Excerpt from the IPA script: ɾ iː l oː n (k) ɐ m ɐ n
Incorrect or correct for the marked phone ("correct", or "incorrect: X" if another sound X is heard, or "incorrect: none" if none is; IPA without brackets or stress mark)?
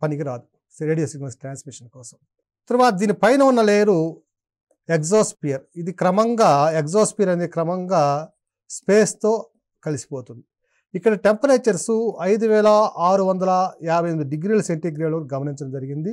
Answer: incorrect: ɡ